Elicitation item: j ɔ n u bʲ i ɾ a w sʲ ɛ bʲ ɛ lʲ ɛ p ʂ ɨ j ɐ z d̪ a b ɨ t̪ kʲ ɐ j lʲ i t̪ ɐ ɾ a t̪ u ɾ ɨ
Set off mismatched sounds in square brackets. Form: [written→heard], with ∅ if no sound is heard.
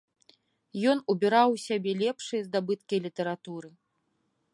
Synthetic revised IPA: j ɔ n u bʲ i ɾ a w sʲ [ɛ→a] bʲ ɛ lʲ ɛ p ʂ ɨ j ɐ z d̪ a b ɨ t̪ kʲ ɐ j lʲ i t̪ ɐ ɾ a t̪ u ɾ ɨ